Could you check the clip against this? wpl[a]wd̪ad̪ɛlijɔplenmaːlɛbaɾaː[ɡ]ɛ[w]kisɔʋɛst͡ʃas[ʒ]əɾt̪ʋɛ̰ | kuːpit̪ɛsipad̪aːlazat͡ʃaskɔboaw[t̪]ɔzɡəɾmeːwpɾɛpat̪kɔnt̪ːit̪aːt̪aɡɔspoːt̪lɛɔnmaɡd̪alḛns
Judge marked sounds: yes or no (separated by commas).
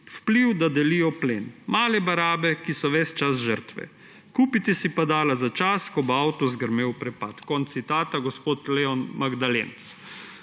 no, no, no, yes, yes